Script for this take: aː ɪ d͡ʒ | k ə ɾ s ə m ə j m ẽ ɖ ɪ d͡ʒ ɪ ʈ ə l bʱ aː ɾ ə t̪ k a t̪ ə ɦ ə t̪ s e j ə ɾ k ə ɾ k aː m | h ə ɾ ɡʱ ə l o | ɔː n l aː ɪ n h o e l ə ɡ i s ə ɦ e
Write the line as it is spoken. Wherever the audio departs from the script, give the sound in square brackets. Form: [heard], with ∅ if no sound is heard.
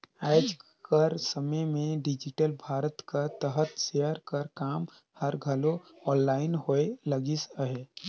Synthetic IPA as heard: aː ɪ d͡ʒ | k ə ɾ s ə m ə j m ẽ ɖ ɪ d͡ʒ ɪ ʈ ə l bʱ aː ɾ ə t̪ k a t̪ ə ɦ ə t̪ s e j ə ɾ k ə ɾ k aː m | h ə ɾ ɡʱ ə l o | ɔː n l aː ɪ n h o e l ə ɡ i s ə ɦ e